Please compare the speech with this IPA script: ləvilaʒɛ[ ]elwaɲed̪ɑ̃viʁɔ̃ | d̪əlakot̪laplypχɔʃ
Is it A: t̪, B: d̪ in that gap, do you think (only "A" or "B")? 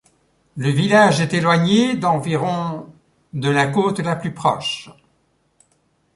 A